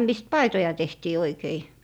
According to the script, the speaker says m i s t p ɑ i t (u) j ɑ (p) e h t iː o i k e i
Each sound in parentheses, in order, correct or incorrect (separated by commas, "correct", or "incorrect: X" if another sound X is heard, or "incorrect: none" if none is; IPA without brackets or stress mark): incorrect: o, incorrect: t